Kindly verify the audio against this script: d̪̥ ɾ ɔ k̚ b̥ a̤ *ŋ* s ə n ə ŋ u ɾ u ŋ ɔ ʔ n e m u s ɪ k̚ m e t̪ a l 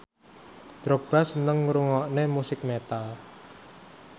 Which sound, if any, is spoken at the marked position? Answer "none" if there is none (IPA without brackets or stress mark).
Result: none